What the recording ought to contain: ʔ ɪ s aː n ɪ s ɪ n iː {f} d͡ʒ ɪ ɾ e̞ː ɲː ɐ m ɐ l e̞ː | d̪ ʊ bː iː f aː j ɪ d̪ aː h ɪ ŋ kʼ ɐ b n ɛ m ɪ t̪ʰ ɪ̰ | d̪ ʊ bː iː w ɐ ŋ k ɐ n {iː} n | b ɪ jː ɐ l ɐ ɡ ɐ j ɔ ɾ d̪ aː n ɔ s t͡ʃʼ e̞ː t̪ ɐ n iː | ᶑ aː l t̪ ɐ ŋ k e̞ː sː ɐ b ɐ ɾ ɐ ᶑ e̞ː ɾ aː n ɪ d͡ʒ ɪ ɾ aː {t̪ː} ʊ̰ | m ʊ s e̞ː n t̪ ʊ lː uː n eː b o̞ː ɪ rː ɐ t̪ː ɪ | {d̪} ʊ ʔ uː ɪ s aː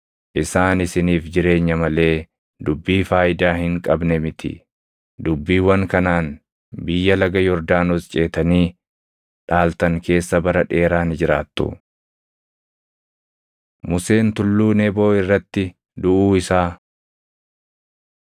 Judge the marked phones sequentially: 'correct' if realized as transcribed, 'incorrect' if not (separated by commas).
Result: correct, incorrect, correct, correct